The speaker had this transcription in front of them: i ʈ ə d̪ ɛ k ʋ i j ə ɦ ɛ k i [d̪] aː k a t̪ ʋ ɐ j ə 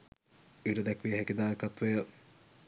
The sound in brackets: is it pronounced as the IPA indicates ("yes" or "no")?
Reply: yes